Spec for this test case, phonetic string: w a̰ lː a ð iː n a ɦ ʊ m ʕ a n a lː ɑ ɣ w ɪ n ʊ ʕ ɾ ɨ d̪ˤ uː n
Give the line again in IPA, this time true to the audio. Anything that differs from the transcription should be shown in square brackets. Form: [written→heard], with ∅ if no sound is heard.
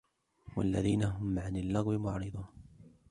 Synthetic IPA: w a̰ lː a ð iː n a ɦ ʊ m ʕ a n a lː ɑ ɣ w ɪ [n→m] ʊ ʕ ɾ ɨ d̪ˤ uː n